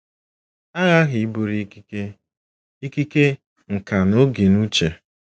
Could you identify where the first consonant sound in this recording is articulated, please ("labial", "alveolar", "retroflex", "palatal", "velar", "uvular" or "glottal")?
velar